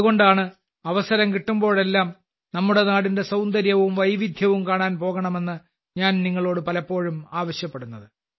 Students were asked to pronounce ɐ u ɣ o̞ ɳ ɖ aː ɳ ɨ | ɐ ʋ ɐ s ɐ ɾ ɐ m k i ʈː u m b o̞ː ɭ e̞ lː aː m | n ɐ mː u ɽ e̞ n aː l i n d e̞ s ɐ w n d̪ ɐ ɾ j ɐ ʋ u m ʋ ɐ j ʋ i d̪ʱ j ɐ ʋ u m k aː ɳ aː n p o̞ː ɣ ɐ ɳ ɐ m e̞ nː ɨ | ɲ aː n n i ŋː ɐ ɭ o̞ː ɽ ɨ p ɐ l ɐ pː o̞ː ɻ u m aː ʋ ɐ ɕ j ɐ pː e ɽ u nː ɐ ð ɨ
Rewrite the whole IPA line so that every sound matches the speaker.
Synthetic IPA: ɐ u ɣ o̞ ɳ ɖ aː ɳ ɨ | ɐ ʋ ɐ s ɐ ɾ ɐ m k i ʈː u m b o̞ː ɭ e̞ lː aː m | n ɐ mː u ɽ e̞ n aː ɽ i n d e̞ s ɐ w n d̪ ɐ ɾ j ɐ ʋ u m ʋ ɐ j ʋ i d̪ʱ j ɐ ʋ u m k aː ɳ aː n p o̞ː ɣ ɐ ɳ ɐ m e̞ nː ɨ | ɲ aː n n i ŋː ɐ ɭ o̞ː ɽ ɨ p ɐ l ɐ pː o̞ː ɻ u m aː ʋ ɐ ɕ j ɐ pː e ɽ u nː ɐ ð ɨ